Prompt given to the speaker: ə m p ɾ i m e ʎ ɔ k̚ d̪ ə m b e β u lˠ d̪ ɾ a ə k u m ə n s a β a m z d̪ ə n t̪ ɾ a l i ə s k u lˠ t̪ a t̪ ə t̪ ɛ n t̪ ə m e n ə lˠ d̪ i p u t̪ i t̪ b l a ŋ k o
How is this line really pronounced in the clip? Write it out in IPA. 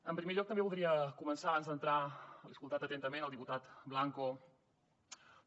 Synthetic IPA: ə m p ɾ i m e ʎ ɔ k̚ t̪ ə m b e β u lˠ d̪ ɾ i ə k u m ə n s a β a n z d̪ ə n t̪ ɾ a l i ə s k u lˠ t̪ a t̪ ə t̪ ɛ n t̪ ə m e n ə lˠ d̪ i p u t̪ a t̪ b l a ŋ k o

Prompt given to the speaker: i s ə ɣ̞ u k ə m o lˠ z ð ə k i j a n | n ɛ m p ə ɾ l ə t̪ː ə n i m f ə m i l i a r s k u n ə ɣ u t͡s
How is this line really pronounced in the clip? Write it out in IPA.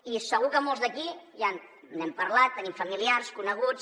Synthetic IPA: i s ə ɣ̞ u k ə m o lˠ z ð ə k i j a n | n ɛ m p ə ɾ l a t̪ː ə n i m f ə m i l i a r s k u n ə ɣ u t͡s

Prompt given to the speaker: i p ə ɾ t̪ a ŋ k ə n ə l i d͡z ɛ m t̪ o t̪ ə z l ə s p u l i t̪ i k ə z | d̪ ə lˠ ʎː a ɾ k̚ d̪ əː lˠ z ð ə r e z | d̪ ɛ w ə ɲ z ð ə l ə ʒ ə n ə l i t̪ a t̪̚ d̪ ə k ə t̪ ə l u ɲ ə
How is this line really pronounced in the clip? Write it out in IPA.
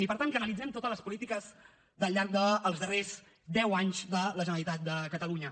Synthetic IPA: i p ə ɾ t̪ a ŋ k ə n ə l i d͡z ɛ m t̪ o t̪ ə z l ə s p u l i t̪ i k ə z | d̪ ə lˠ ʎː a ɾ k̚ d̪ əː lˠ z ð ə r e z | d̪ ɛ w a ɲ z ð ə l ə ʒ ə n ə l i t̪ a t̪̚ d̪ ə k ə t̪ ə l u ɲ ə

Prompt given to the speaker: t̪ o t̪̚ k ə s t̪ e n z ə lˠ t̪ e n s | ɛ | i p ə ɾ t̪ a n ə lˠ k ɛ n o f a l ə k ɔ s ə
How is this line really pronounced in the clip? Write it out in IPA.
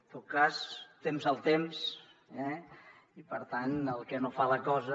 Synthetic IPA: t̪ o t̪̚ k a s t̪ e m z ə lˠ t̪ e m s | ɛ | i p ə ɾ t̪ a n ə lˠ k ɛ n o f a l ə k ɔ z ə

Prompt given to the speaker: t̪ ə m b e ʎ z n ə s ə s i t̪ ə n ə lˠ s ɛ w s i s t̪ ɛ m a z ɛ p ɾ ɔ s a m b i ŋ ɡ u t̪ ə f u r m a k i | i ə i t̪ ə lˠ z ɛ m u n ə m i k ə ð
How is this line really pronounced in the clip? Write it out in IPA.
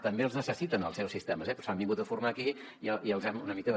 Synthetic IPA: t̪ ə m b e l z n ə s ə s i t̪ ə n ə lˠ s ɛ w s i s t̪ ɛ m ə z ɛ p ɾ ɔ s a m b i ŋ ɡ u t̪ ə f u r m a k i | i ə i ə lˠ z ɛ m u n ə m i k ə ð

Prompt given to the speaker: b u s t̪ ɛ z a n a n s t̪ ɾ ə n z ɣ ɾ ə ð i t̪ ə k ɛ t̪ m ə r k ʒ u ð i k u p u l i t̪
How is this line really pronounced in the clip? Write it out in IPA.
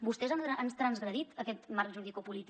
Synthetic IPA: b u s t̪ ɛ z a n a n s t̪ ɾ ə n z ɣ ɾ ə ð i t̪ ə k ɛ t̪ m a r k ʒ u ð i k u p u l i t̪

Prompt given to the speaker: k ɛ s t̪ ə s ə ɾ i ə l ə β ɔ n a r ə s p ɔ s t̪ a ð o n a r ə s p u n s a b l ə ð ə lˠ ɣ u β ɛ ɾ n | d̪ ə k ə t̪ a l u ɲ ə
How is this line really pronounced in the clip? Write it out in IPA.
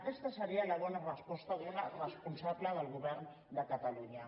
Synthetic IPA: k ɛ s t̪ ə s ə ɾ i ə l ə β ɔ n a r ə s p ɔ s t̪ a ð u n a r ə s p u n s a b l ə ð ə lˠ ɣ u β ɛ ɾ n | d̪ ə k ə t̪ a l u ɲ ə

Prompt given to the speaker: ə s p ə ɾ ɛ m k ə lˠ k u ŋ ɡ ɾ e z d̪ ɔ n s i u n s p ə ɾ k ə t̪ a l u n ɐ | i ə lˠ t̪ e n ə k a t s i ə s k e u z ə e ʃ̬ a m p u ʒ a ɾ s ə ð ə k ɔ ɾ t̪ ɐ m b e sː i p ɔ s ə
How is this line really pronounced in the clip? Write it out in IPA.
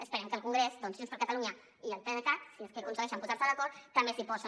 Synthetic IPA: ə s p ə ɾ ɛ m k ə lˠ k u ŋ ɡ ɾ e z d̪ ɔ n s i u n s p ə ɾ k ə t̪ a l u ɲ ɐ | i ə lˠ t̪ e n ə k a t s i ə s k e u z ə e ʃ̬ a m p u z a ɾ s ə ð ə k ɔ ɾ t̪ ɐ m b e s i p ɔ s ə

